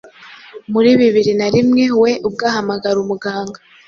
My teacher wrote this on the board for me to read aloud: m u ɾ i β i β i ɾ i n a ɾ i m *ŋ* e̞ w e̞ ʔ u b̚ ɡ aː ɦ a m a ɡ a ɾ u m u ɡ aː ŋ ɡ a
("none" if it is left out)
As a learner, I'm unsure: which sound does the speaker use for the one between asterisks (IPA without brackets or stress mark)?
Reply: ŋ